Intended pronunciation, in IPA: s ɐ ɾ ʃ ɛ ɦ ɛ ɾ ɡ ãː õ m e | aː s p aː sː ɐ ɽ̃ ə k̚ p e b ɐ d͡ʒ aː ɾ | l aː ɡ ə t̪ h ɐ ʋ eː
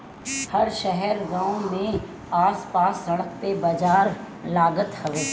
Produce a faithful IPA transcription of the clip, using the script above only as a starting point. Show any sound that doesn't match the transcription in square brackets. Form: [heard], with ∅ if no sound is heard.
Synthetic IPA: [h] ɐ ɾ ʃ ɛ ɦ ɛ ɾ ɡ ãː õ m [ẽ] | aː s p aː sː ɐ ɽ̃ ə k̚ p e b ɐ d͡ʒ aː ɾ | l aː ɡ ə t̪ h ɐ ʋ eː